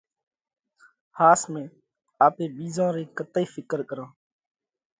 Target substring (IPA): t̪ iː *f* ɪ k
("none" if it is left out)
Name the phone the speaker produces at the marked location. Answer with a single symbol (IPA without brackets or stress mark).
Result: f